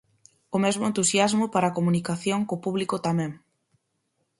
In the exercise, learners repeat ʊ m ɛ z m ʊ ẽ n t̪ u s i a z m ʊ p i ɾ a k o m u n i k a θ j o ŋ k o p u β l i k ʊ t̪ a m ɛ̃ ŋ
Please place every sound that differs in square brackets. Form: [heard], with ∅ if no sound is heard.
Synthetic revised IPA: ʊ m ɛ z m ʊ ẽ n t̪ u s [j] a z m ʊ p [a] ɾ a k o m u n i k a θ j o ŋ k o p u β l i k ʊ t̪ a m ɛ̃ ŋ